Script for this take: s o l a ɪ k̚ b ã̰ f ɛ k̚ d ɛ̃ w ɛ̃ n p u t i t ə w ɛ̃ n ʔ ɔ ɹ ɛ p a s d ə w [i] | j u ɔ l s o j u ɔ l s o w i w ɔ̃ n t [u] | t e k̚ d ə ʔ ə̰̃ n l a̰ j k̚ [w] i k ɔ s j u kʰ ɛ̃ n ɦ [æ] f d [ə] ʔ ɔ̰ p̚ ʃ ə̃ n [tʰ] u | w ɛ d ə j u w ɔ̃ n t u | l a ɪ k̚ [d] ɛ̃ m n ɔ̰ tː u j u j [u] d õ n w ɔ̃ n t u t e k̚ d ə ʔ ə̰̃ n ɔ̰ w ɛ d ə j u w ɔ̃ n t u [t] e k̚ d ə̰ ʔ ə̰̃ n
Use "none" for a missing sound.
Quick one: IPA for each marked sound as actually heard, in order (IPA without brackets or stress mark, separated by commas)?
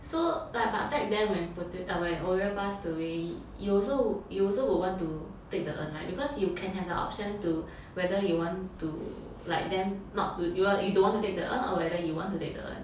e, u, b, ɛ, ə, t, d, u, t